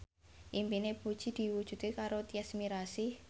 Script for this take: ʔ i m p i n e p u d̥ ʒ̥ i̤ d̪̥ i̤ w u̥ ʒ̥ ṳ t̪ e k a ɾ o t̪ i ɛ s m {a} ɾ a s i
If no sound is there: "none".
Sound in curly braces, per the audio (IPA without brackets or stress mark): i